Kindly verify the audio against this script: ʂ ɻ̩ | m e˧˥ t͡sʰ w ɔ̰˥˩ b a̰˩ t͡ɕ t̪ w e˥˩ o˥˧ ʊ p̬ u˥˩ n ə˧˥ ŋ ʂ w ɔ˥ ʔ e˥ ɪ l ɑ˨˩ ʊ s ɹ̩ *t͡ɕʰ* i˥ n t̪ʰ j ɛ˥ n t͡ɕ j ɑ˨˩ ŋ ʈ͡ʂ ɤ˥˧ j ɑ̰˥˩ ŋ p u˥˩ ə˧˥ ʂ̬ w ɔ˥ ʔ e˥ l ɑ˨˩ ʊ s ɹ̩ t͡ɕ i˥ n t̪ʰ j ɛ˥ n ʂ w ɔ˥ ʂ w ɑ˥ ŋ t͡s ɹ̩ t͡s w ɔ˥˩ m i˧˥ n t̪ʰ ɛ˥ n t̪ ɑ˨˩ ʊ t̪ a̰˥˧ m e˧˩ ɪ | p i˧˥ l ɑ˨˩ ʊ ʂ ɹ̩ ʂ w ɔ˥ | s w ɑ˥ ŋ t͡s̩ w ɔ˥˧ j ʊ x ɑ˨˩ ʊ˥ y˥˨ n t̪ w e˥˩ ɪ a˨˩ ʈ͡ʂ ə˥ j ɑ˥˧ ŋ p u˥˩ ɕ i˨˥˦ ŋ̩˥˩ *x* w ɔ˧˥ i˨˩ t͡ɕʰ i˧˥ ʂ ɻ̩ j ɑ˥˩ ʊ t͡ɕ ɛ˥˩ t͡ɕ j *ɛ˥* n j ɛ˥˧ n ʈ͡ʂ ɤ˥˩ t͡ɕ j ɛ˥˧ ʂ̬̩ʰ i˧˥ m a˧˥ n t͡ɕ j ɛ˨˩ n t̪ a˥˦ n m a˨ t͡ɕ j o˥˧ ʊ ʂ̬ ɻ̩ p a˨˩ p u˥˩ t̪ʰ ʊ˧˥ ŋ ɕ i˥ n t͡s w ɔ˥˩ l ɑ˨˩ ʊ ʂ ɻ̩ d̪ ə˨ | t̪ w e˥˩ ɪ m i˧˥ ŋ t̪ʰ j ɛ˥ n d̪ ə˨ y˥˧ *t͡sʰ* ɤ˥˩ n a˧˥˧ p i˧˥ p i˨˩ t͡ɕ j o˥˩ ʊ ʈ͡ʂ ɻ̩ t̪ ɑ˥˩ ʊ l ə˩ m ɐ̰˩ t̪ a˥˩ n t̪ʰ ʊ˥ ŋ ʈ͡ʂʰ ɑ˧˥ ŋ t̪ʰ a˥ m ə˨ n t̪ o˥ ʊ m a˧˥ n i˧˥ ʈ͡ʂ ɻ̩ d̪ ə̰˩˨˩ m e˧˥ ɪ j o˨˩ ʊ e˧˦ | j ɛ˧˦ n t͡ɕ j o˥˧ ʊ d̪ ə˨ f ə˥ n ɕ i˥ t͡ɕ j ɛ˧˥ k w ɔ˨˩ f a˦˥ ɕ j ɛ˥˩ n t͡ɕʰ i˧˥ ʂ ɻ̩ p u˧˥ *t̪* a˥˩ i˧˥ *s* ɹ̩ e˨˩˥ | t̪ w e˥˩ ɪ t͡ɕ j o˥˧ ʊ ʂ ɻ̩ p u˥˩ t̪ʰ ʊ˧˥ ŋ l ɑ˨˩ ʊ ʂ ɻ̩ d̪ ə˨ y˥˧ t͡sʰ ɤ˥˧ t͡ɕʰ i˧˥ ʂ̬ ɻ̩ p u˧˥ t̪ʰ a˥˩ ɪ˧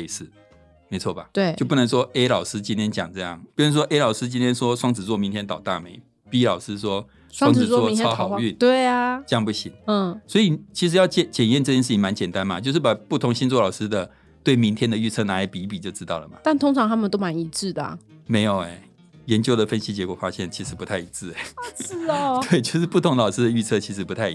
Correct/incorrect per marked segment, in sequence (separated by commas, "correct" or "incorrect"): incorrect, incorrect, incorrect, correct, incorrect, incorrect